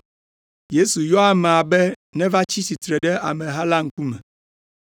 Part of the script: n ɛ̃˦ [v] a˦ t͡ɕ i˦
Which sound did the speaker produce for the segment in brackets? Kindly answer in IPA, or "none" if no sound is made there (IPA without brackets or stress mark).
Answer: v